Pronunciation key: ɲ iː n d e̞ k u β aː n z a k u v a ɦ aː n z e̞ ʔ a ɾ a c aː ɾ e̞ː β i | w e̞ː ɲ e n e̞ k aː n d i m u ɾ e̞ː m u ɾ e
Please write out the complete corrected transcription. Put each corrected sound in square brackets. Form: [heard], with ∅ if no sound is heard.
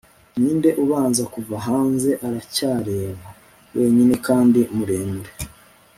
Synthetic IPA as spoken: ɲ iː n d e̞ [ʔ] u β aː n z a k u v a ɦ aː n z e̞ ʔ a ɾ a c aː ɾ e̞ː β [a] | w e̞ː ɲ [i] n e̞ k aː n d i m u ɾ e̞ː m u ɾ e